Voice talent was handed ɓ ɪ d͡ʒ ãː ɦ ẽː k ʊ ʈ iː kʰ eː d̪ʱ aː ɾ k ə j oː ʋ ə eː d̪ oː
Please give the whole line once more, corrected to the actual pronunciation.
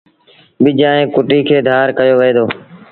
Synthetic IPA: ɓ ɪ d͡ʒ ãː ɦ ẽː k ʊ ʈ iː kʰ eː d̪ʱ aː ɾ k ə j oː ʋ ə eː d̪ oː